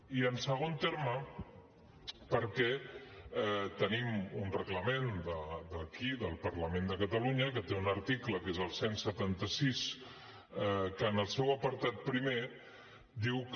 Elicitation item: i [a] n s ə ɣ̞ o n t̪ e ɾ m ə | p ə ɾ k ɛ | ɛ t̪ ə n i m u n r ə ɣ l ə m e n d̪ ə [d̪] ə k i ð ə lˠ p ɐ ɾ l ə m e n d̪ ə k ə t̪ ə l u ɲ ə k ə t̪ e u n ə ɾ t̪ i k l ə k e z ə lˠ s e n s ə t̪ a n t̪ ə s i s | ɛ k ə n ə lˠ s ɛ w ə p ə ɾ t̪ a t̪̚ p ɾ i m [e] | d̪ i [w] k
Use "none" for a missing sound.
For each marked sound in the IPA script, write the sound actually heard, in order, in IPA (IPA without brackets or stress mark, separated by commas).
ə, d̪, e, w